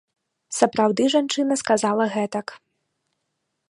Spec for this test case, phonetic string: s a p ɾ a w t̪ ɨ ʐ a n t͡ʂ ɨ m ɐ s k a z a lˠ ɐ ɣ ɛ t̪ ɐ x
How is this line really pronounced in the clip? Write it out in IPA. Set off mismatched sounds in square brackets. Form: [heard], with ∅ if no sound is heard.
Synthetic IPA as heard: s [ɐ] p ɾ a w [d̪] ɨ ʐ a n t͡ʂ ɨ [n] ɐ s k a z a lˠ ɐ ɣ ɛ t̪ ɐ [k]